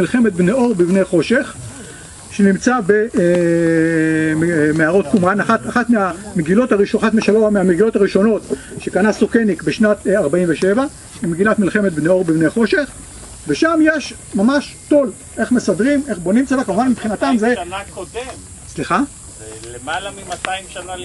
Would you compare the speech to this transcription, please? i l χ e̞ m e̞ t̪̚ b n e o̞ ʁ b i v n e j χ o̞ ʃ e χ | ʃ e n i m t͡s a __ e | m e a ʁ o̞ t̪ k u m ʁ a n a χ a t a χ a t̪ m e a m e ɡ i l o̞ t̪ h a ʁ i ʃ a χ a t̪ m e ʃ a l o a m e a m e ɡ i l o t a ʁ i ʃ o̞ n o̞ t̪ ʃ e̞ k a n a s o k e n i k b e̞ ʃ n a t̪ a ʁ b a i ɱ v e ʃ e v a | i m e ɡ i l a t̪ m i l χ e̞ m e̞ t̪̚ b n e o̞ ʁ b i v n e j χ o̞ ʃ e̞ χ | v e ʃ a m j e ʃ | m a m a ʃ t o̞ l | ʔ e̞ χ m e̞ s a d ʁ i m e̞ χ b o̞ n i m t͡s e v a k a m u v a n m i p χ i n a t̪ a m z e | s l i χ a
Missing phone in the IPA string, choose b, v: b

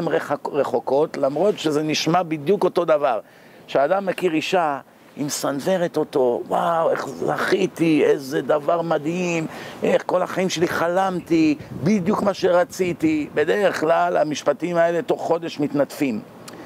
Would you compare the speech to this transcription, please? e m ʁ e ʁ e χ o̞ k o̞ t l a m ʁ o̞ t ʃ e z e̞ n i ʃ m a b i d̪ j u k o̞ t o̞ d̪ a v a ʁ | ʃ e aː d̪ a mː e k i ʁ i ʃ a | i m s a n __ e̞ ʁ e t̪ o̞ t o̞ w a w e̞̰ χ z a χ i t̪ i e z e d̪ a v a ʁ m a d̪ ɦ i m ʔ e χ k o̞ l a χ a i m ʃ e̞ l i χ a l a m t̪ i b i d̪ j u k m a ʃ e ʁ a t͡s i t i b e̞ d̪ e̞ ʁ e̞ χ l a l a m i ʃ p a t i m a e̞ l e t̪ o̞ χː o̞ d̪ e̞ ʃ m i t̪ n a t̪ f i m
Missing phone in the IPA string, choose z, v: v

